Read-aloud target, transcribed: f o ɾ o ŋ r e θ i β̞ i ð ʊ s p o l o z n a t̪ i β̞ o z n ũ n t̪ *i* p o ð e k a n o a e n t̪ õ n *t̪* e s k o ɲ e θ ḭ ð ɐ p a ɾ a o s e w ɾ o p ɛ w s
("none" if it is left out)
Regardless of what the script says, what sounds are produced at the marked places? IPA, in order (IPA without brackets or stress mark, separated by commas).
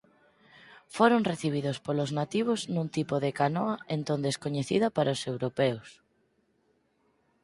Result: i, d̪